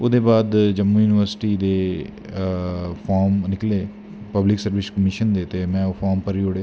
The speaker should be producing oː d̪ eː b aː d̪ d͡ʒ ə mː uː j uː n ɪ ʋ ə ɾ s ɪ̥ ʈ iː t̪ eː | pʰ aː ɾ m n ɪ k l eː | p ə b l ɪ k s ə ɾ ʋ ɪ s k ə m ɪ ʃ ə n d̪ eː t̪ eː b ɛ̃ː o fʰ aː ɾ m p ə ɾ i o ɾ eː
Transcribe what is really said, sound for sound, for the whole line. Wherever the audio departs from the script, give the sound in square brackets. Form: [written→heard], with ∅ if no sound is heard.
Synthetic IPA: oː d̪ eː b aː d̪ d͡ʒ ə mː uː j uː n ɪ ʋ ə ɾ s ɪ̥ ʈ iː [t̪→d̪] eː | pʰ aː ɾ m n ɪ k l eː | p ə b l ɪ k s ə ɾ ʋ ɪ s k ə m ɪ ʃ ə n d̪ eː t̪ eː [b→m] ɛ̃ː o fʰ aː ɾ m p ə ɾ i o [ɾ→ɽ] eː